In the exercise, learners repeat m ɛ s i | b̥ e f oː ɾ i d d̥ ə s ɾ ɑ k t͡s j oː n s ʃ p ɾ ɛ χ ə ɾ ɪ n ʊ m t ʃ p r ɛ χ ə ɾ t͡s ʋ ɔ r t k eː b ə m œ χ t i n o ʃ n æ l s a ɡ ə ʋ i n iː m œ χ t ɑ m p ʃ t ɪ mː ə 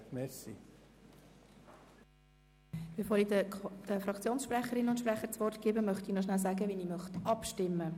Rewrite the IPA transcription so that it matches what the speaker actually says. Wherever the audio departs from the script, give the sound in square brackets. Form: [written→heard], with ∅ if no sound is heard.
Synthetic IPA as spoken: m ɛ s i | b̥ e f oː ɾ i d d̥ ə [s→f] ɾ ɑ k t͡s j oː n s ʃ p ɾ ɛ χ ə ɾ ɪ n ʊ [m→n] t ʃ p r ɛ χ ə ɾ t͡s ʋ ɔ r t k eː b ə m œ χ t i n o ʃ n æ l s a ɡ ə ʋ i n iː m œ χ t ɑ [m→∅] p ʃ t ɪ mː ə